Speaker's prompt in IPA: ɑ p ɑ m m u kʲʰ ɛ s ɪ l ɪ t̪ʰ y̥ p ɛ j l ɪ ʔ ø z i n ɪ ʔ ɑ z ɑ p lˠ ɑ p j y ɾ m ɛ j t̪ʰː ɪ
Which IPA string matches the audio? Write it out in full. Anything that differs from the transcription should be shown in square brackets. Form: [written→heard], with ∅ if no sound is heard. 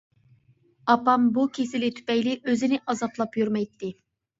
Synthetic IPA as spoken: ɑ p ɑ m [m→b] u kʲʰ [ɛ→e] s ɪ l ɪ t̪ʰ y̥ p ɛ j l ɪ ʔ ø z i n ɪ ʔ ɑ z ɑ p lˠ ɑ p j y ɾ m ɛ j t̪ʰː ɪ